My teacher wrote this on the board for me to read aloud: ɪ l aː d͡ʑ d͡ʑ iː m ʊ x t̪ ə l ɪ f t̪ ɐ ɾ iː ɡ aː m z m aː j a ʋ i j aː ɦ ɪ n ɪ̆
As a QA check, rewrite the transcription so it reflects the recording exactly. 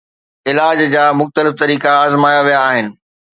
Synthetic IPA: ɪ l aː d͡ʑ d͡ʑ aː m ʊ x t̪ ə l ɪ f t̪ ɐ ɾ iː k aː z m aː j a ʋ i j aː ɦ ɪ n ɪ̆